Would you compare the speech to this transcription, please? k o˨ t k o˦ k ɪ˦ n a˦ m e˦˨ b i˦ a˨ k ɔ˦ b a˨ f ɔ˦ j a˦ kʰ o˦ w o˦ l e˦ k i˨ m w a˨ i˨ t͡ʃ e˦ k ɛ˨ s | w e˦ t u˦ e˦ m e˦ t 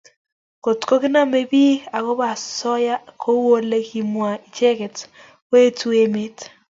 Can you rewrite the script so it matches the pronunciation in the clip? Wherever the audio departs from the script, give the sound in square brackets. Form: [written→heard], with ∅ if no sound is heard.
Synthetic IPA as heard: k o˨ t k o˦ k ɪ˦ n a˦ m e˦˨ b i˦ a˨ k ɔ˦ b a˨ [f→s] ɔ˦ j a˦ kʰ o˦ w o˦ l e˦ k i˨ m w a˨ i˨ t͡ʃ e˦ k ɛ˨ [s→t] | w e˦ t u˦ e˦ m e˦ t